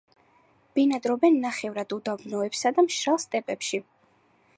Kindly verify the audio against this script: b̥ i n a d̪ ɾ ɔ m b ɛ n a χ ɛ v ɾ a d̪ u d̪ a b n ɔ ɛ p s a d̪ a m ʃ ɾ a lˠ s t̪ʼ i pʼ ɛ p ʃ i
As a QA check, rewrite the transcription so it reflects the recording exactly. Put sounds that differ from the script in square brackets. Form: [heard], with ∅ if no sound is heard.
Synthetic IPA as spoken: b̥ i n a d̪ ɾ ɔ [∅] b ɛ [nː] a χ ɛ v ɾ a d̪ u d̪ a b n ɔ ɛ p s a d̪ a m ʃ ɾ a lˠ s t̪ʼ [ɛ] pʼ ɛ p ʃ i